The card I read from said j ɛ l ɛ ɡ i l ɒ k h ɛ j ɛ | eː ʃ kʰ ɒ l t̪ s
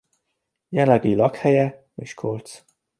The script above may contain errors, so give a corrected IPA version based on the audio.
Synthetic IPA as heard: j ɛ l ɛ ɡ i l ɒ k h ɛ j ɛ | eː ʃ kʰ o l t̪ s